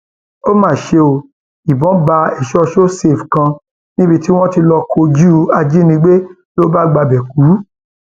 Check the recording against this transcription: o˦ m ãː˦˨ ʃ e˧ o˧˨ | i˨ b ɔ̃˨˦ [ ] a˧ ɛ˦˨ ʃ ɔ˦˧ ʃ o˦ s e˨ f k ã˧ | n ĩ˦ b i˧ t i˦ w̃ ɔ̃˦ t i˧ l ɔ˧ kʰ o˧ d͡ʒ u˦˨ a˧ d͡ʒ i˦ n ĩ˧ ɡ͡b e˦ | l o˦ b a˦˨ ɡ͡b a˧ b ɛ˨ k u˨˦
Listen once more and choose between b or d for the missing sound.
b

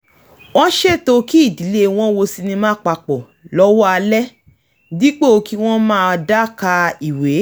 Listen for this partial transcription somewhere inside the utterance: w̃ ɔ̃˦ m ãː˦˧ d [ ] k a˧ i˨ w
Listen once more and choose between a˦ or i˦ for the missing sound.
a˦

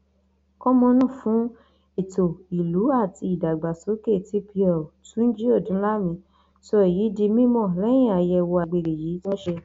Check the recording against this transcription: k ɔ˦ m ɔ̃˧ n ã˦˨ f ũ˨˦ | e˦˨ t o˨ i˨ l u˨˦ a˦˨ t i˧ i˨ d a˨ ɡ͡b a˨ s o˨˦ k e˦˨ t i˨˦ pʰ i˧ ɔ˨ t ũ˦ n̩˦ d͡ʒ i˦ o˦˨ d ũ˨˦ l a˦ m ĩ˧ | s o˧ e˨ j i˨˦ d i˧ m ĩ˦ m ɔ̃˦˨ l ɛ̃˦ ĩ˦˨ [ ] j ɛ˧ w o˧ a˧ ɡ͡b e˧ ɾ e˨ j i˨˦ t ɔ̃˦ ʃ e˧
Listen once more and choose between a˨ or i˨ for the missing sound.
a˨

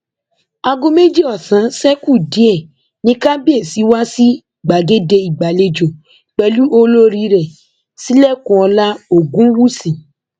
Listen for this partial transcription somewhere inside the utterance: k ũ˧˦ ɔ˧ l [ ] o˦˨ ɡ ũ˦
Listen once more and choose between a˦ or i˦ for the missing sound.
a˦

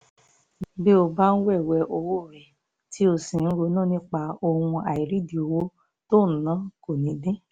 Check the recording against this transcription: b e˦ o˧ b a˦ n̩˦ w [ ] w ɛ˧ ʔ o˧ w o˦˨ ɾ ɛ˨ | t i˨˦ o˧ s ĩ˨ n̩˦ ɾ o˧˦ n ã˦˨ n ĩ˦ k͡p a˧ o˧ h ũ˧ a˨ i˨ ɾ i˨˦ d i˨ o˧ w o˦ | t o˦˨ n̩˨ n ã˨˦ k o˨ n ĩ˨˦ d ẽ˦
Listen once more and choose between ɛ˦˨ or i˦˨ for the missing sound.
ɛ˦˨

